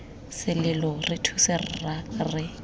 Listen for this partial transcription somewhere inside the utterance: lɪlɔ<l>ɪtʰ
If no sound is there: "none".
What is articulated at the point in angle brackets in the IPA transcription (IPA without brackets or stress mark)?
r